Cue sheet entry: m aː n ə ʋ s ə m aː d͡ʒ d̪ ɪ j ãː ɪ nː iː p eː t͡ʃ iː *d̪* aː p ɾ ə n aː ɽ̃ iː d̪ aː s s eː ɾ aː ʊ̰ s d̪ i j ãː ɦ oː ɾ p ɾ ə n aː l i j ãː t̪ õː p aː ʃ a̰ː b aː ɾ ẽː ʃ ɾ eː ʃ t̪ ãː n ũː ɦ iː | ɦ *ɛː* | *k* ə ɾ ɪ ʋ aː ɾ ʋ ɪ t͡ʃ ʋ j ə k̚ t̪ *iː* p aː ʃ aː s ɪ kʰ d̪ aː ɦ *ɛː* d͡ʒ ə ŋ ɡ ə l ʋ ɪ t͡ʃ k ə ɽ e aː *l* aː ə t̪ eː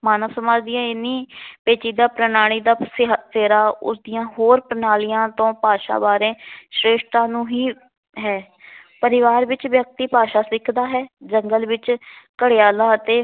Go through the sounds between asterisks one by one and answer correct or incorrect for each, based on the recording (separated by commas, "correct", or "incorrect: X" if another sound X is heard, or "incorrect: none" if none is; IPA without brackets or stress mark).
correct, correct, incorrect: p, correct, correct, correct